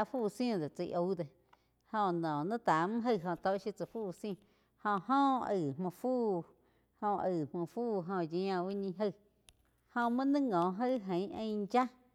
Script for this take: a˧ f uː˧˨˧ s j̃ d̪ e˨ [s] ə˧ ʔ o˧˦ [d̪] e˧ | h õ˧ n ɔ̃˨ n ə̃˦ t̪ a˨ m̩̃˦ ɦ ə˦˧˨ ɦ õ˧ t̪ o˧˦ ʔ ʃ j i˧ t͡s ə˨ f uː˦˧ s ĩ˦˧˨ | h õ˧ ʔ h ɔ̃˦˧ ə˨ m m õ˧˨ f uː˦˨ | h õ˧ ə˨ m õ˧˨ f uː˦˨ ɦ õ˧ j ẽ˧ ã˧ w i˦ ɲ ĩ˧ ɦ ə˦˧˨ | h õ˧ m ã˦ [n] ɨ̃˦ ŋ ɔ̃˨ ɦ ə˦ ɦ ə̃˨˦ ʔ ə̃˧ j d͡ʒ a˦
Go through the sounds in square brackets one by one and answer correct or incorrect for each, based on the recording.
incorrect, correct, correct

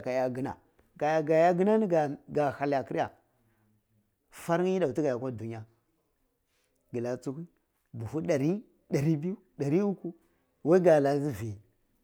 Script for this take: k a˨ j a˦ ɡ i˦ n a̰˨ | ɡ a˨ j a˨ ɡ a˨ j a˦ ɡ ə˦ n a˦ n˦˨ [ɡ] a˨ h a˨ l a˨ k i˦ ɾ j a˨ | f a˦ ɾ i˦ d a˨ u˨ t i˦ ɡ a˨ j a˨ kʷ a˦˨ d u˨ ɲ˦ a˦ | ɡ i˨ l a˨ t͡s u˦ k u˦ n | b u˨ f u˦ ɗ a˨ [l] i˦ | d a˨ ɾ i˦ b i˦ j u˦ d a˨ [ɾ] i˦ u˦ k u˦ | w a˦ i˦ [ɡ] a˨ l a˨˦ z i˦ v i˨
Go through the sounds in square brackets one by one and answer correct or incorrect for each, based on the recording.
correct, incorrect, correct, correct

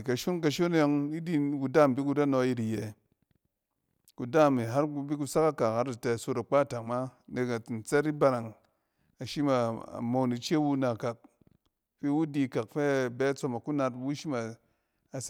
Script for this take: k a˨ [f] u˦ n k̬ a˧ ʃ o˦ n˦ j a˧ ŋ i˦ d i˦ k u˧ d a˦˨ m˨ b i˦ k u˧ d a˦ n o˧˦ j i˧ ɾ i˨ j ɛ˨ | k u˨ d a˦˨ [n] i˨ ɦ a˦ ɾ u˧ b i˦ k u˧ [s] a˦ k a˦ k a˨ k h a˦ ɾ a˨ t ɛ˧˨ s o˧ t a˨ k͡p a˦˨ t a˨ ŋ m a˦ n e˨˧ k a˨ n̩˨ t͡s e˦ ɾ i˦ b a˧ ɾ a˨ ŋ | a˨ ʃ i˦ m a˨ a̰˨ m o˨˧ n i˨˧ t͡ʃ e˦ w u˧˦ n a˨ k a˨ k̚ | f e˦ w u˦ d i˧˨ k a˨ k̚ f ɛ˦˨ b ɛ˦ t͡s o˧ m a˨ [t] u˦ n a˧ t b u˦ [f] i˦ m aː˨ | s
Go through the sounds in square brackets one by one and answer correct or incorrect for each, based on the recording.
incorrect, incorrect, correct, incorrect, incorrect

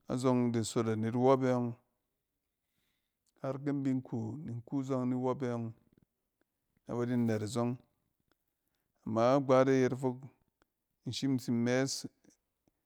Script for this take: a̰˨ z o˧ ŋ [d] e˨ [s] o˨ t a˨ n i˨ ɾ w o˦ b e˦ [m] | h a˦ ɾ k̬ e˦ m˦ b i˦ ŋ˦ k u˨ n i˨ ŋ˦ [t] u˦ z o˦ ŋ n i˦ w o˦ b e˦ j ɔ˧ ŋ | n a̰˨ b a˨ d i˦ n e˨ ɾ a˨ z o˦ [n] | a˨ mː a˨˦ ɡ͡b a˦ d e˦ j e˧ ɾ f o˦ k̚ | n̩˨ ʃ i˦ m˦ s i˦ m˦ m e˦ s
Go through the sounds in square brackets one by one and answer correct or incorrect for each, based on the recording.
correct, correct, incorrect, incorrect, incorrect

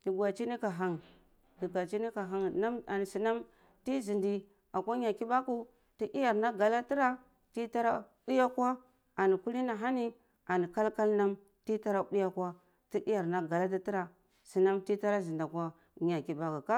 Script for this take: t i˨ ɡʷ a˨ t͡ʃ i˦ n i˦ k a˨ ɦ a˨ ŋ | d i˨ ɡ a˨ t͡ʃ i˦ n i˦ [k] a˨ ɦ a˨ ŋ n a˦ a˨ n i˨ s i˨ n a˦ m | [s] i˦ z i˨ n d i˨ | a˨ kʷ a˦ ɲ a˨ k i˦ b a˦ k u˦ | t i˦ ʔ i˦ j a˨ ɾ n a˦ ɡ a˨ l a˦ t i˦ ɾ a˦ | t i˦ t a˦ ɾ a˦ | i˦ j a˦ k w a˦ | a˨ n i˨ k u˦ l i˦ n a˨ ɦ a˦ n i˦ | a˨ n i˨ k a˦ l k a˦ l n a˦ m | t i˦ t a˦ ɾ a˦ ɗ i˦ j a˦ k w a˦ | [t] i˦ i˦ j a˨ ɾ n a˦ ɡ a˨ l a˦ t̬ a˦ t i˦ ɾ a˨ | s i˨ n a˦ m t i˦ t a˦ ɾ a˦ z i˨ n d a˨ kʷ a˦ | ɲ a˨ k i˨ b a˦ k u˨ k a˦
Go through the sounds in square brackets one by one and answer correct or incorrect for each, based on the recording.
correct, incorrect, correct

